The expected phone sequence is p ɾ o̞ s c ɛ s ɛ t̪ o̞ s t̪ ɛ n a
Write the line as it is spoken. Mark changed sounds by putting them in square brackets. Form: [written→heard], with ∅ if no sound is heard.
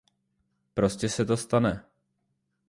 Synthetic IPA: p ɾ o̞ s c ɛ s ɛ t̪ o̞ s t̪ [ɛ→a] n [a→ɛ]